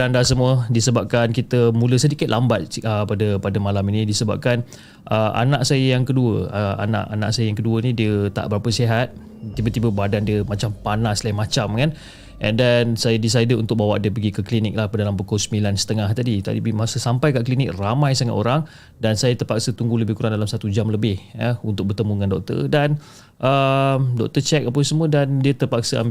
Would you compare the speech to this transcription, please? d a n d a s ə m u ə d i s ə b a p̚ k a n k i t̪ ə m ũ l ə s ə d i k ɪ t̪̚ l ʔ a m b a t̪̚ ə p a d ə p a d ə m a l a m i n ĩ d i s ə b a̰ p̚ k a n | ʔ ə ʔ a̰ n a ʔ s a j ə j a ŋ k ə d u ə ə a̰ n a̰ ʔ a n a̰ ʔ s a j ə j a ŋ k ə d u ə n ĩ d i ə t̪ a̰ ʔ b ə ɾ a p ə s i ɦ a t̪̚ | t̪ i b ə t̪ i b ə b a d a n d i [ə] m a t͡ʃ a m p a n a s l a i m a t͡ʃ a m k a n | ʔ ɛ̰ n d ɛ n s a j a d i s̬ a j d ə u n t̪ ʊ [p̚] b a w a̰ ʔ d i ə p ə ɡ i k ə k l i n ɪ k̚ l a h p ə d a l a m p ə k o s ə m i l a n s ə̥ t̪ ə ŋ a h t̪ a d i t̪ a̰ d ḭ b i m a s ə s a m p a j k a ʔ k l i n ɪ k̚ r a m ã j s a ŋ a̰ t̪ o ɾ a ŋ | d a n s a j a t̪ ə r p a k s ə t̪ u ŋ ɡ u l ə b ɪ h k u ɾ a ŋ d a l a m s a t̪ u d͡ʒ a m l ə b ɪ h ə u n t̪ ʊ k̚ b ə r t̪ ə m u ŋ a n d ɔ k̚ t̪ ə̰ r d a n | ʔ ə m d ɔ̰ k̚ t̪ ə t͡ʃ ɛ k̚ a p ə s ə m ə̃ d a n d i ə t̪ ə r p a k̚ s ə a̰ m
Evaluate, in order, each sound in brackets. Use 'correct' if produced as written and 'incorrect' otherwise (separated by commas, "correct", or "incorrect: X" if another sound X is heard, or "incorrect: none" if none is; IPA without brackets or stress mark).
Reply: correct, incorrect: k̚